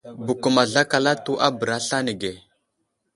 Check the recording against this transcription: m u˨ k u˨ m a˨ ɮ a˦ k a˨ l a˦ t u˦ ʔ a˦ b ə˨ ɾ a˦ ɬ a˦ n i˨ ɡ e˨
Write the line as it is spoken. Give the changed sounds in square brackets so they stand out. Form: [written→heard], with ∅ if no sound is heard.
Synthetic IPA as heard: [m→b] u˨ k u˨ m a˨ ɮ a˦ k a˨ l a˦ t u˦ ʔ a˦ b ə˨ ɾ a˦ ɬ a˦ n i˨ ɡ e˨